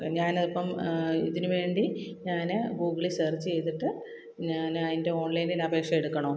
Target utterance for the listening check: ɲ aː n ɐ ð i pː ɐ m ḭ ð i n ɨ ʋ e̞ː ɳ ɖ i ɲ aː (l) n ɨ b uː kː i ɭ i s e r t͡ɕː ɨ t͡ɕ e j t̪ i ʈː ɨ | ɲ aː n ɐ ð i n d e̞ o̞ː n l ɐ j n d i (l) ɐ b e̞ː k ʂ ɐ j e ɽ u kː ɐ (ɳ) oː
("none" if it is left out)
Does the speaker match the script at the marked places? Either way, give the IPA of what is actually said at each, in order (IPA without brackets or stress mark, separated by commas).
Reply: none, l, ɳ